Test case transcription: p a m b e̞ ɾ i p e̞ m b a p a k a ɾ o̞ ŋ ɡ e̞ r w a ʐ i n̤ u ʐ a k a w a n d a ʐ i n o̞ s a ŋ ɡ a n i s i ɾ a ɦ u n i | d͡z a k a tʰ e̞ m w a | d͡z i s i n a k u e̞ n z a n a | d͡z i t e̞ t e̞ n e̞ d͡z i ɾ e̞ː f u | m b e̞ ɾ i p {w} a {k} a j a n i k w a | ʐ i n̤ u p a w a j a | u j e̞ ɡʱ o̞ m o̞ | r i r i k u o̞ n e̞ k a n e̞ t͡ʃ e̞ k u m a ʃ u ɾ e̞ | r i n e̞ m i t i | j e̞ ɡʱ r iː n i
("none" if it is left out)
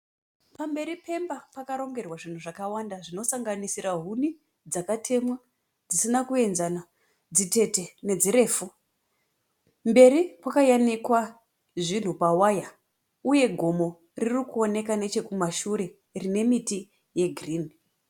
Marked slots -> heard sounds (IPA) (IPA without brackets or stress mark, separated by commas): w, k